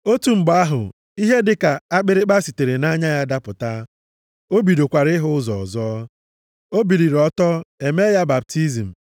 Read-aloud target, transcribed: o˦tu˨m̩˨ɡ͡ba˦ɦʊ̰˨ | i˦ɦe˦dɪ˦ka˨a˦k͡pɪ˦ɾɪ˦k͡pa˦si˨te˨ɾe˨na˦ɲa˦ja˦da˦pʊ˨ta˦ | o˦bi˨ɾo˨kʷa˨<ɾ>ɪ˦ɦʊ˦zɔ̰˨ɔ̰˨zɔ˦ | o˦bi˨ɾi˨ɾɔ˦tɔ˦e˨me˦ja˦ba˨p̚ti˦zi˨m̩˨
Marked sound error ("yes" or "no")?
no